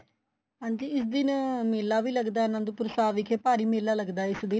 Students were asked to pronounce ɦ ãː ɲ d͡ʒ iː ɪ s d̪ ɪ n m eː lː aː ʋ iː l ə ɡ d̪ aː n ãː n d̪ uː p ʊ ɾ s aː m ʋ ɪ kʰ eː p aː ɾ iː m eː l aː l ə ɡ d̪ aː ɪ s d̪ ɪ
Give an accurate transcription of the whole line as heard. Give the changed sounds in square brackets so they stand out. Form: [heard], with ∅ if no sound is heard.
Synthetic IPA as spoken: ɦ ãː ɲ d͡ʒ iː ɪ s d̪ ɪ n m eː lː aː ʋ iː l ə ɡ d̪ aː n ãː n d̪ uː p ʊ ɾ s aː [∅] ʋ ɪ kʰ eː p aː ɾ iː m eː l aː l ə ɡ d̪ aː ɪ s d̪ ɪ